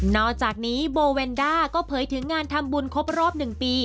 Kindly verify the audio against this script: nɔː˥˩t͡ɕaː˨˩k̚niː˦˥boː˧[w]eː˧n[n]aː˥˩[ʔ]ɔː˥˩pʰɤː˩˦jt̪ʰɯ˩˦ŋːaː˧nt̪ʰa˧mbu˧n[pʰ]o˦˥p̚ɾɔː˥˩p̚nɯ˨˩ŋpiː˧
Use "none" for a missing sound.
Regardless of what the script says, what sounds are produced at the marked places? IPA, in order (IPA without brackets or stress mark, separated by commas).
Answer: w, d, k, kʰ